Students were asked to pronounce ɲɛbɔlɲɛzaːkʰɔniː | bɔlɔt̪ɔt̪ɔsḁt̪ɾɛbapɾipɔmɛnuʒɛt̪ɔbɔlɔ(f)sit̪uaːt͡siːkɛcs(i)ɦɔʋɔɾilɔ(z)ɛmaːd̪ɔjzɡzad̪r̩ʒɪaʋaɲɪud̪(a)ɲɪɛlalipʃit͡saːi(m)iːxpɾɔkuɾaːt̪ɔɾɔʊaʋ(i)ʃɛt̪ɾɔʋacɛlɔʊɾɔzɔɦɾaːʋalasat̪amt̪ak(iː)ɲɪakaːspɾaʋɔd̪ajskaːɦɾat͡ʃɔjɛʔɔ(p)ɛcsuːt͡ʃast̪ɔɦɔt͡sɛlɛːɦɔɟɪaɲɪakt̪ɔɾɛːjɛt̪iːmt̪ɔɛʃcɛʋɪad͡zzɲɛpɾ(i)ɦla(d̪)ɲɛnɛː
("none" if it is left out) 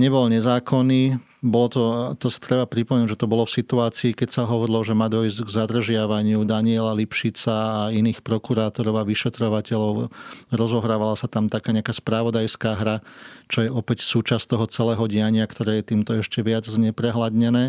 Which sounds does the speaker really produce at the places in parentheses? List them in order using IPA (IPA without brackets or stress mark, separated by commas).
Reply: f, a, ʒ, a, n, i, aː, p, ɛ, d̪